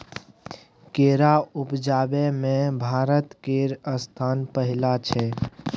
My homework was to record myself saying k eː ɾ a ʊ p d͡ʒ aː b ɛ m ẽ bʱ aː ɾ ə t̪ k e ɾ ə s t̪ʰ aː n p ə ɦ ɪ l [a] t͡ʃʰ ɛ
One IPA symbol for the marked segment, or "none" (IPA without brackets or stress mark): a